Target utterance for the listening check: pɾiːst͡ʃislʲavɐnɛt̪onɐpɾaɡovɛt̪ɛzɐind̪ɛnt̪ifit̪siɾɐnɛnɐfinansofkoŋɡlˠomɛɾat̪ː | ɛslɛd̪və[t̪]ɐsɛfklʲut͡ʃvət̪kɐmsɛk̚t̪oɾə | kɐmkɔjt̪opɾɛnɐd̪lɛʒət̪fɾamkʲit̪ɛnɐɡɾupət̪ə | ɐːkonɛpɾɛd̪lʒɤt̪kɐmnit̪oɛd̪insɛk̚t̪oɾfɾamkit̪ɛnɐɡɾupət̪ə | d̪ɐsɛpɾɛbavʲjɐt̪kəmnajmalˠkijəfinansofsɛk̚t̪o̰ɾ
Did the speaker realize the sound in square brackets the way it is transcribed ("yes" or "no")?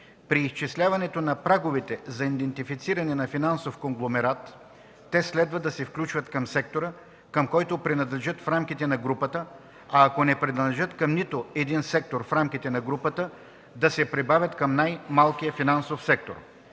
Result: no